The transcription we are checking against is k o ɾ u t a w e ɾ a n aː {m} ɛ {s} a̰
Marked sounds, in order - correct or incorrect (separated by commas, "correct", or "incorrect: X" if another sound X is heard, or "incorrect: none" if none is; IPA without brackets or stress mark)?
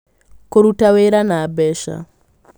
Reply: incorrect: b, incorrect: ʃ